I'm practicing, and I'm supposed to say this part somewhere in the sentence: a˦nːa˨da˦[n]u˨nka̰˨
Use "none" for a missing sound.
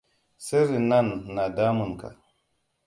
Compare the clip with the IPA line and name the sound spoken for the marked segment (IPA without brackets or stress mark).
m